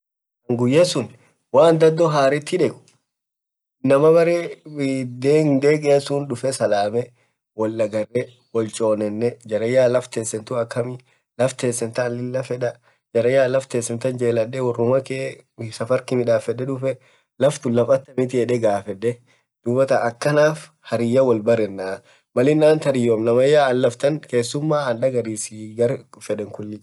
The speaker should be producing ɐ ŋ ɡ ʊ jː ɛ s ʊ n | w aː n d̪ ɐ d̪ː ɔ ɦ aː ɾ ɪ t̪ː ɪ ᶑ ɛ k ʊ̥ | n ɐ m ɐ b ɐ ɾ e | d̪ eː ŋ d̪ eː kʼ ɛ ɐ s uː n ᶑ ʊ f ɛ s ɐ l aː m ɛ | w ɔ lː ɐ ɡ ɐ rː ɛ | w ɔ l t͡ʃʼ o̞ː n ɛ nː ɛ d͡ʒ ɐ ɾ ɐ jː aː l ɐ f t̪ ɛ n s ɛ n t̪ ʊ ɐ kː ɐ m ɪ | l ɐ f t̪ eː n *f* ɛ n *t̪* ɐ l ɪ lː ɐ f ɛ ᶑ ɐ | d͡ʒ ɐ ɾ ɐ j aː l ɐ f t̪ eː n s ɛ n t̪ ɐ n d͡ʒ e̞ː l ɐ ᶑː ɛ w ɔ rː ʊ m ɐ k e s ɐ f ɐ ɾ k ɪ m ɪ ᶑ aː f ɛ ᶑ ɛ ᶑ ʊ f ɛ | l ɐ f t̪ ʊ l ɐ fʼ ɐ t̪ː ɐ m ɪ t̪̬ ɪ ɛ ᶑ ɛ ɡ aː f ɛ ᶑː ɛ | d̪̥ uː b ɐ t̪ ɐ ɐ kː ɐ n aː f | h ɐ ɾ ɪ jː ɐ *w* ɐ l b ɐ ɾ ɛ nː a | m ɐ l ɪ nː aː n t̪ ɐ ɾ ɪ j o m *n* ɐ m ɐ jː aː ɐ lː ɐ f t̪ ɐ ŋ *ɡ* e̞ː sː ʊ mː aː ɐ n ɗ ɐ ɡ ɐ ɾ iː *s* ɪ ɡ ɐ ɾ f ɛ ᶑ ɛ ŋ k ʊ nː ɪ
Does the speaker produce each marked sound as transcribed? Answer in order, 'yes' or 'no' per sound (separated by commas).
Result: no, yes, yes, yes, no, yes